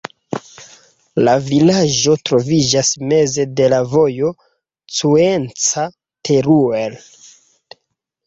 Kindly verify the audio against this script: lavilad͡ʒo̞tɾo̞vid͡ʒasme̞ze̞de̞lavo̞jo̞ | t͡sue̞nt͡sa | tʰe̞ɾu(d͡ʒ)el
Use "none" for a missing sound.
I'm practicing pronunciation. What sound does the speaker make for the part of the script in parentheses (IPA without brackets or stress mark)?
none